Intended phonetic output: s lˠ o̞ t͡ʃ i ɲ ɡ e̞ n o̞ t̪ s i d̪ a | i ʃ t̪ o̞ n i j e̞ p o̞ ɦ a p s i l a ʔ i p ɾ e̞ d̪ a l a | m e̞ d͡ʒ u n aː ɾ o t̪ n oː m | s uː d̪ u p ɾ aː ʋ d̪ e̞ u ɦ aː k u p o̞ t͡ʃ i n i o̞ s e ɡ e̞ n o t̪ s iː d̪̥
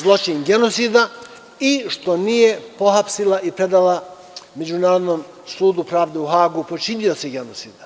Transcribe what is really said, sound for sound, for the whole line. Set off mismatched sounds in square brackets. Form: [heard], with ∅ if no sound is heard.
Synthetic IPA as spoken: [z] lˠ o̞ t͡ʃ i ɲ ɡ e̞ n o̞ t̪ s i d̪ a | i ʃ t̪ o̞ n i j e̞ p o̞ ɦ a p s i l a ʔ i p ɾ e̞ d̪ a l a | m e̞ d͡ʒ u n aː ɾ o [d̪] n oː m | s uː d̪ u p ɾ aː ʋ d̪ e̞ u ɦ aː [ɡ] u p o̞ t͡ʃ i n i o̞ s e ɡ e̞ n o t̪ s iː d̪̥